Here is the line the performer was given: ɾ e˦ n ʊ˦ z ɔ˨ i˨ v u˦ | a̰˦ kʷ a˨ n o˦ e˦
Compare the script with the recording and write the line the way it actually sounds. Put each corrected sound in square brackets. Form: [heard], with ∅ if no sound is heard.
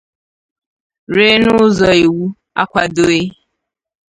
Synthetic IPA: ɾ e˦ n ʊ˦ z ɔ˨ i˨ [w] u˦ | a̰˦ kʷ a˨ [d] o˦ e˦